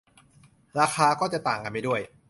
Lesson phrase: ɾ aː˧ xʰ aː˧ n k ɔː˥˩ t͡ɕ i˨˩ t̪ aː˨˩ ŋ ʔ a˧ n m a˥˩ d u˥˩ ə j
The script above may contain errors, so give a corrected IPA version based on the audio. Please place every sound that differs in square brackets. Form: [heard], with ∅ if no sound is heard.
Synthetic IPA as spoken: ɾ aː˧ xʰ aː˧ [∅] k ɔː˥˩ t͡ɕ [a˨˩] t̪ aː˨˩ ŋ [k] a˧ n m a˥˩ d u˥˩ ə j